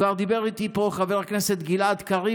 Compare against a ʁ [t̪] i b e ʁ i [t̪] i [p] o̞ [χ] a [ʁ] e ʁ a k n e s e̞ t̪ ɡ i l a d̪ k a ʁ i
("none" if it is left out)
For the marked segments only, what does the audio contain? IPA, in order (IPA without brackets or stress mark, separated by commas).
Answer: d̪, t̪, p, χ, v